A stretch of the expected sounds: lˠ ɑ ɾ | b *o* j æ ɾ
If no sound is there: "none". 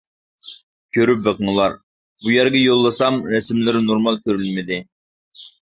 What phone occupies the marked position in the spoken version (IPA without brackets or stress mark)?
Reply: u